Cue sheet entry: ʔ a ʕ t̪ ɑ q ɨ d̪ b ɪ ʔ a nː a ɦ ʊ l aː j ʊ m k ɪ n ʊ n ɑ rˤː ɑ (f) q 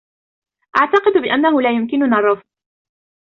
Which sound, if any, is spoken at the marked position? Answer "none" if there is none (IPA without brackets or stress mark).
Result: f